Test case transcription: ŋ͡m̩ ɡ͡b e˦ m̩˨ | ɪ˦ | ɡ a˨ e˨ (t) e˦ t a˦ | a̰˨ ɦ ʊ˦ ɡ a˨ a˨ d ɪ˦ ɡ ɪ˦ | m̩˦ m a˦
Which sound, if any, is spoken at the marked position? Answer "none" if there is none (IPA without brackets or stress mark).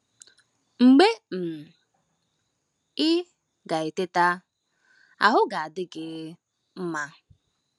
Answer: t